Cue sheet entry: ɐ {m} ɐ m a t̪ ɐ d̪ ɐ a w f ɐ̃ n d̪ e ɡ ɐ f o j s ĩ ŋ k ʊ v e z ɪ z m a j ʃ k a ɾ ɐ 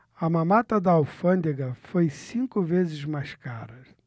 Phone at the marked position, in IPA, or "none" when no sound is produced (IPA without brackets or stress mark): m